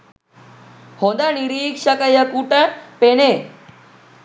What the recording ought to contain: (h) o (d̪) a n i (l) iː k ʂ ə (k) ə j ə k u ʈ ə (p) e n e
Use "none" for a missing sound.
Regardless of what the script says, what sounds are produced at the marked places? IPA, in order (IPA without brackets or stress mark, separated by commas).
h, d̪, ɾ, k, p